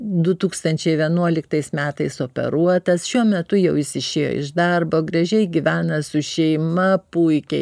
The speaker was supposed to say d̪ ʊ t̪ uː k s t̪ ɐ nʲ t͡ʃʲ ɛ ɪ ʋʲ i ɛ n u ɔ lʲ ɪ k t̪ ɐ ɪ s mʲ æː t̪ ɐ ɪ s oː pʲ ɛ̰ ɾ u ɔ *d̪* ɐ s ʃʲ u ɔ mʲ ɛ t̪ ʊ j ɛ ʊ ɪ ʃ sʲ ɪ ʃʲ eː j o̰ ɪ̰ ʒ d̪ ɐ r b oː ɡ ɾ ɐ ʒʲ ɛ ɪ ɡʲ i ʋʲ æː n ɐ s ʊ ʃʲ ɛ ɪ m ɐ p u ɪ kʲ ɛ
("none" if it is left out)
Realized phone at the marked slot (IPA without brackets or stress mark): t̪